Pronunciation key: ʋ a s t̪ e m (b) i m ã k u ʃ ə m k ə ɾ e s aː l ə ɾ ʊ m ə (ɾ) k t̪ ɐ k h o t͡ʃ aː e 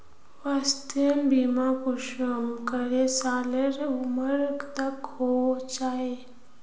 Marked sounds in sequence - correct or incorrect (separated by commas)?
correct, correct